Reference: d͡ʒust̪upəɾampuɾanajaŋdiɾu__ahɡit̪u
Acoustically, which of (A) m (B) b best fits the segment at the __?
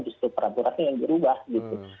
B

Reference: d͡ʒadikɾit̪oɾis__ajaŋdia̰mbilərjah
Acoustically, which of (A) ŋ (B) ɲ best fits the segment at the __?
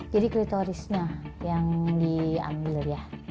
B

